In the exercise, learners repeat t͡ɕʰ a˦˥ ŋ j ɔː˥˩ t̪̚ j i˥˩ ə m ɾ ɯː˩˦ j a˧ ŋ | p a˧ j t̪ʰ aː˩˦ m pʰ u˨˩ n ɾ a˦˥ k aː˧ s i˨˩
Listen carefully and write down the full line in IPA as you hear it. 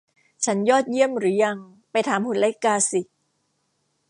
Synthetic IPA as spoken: t͡ɕʰ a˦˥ n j ɔː˥˩ t̪̚ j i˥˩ ə m ɾ ɯː˩˦ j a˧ ŋ | p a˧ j t̪ʰ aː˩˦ m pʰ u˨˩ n l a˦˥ k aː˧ s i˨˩